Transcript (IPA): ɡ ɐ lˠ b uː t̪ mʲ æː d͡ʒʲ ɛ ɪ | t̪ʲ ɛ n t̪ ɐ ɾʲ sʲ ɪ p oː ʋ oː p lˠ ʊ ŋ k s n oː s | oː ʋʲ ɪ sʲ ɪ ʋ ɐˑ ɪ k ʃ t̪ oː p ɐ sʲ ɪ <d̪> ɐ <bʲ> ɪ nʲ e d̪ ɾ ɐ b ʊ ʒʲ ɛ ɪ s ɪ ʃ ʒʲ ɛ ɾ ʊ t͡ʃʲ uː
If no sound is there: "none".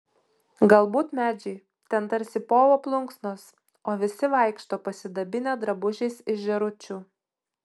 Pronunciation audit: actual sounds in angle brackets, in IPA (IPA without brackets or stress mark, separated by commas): d̪, bʲ